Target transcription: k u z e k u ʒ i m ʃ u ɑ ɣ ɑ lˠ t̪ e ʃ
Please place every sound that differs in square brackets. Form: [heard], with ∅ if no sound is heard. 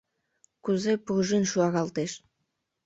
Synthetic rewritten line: k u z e [p] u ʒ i [n] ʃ u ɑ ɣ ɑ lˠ t̪ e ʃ